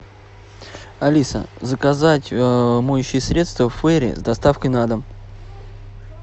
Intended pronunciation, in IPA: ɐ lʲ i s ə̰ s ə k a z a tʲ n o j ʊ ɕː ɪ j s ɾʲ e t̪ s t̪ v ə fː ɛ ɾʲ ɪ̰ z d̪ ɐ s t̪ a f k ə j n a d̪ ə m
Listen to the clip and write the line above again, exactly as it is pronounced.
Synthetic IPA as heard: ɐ lʲ i s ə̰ z ə k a z a tʲ m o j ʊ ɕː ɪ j s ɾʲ e t̪ s t̪ v ə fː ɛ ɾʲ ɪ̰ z d̪ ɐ s t̪ a f k ə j n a d̪ ə m

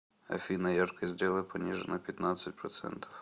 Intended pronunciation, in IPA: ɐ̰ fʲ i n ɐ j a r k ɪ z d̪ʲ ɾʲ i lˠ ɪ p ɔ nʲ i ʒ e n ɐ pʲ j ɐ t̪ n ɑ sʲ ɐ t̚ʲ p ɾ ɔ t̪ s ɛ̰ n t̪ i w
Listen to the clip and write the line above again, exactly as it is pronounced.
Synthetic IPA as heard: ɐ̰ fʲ i n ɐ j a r k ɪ z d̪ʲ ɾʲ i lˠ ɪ p ɔ nʲ i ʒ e n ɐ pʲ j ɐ t̪ n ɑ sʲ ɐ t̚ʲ p ɾ ɔ t̪ s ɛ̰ n t̪ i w

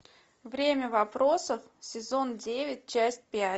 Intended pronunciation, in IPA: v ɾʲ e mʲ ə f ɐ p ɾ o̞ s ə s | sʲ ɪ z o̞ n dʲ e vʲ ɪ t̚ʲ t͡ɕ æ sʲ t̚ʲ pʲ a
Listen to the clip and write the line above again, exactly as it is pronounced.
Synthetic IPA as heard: v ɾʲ e mʲ ə v ɐ p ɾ o̞ s ə f | sʲ ɪ z o̞ n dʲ e vʲ ɪ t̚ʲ t͡ɕ æ sʲ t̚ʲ pʲ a

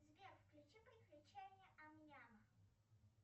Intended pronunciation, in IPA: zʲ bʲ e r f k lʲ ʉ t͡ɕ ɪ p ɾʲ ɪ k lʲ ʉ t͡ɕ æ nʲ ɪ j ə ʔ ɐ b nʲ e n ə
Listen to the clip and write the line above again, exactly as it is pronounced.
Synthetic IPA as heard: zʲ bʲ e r f k lʲ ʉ t͡ɕ i p ɾʲ ɪ k lʲ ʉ t͡ɕ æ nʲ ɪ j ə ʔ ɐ m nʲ a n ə

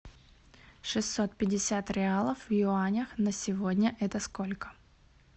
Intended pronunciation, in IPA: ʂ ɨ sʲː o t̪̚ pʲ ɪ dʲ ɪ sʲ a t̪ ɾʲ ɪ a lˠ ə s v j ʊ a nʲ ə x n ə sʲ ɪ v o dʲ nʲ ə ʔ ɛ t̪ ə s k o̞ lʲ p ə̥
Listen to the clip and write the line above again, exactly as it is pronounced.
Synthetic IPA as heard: ʂ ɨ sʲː o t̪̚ pʲ ɪ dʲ ɪ sʲ a t̪ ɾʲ ɪ a lˠ ə f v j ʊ a nʲ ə x n ə sʲ ɪ v o dʲ nʲ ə ʔ ɛ t̪ ə s k o̞ lʲ k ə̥

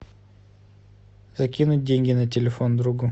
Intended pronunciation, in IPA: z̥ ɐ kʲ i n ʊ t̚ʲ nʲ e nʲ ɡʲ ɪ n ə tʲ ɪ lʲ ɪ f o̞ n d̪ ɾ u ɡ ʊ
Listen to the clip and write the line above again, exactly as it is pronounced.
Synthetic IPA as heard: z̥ ɐ kʲ i n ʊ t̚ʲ dʲ e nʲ ɡʲ ɪ n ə tʲ ɪ lʲ ɪ f o̞ n d̪ ɾ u ɡ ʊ

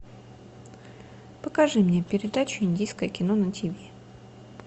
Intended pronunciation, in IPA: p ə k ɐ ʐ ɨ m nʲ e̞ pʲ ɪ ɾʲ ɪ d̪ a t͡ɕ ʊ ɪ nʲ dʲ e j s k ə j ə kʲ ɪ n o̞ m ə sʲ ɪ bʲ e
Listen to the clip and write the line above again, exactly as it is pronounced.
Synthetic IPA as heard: p ə k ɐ ʐ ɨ m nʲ e̞ pʲ ɪ ɾʲ ɪ d̪ a t͡ɕ ʊ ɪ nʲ dʲ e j s k ə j ə kʲ ɪ n o̞ n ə tʲ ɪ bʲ e

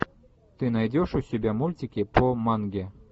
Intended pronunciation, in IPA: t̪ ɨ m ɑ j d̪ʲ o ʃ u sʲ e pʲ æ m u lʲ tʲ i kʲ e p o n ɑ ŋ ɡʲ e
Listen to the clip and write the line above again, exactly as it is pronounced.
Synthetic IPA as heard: t̪ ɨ n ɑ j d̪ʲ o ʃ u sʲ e bʲ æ m u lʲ tʲ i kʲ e p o m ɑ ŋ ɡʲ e

